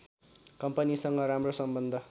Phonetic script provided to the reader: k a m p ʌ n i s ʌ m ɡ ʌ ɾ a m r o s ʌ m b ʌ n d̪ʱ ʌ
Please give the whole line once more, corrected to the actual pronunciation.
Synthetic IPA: k ʌ m p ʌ n i s ʌ ŋ ɡ ʌ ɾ a m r o s ʌ m b ʌ n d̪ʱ ʌ